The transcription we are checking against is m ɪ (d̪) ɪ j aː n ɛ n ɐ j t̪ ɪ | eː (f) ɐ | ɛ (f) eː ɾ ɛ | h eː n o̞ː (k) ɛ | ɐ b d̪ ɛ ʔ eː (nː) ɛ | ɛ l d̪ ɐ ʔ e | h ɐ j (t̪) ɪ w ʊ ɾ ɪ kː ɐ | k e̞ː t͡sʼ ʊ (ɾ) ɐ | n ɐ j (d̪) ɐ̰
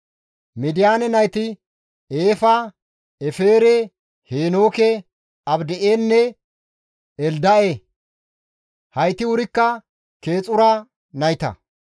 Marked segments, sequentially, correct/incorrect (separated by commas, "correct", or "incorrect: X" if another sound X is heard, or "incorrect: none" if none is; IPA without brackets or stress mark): correct, correct, correct, correct, correct, correct, correct, incorrect: t̪